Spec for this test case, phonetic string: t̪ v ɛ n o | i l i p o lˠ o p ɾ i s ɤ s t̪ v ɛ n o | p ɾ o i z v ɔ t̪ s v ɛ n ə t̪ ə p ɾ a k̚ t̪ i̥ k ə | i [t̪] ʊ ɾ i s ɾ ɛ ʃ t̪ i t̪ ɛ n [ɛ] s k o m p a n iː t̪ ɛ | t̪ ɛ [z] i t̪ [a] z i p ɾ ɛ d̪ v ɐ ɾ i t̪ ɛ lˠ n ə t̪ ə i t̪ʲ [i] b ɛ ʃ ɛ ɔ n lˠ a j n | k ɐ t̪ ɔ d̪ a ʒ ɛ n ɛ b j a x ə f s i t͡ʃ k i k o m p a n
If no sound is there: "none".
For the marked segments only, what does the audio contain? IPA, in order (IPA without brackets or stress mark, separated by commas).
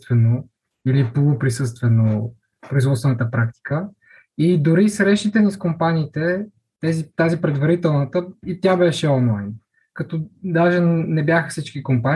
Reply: d̪, i, z, a, a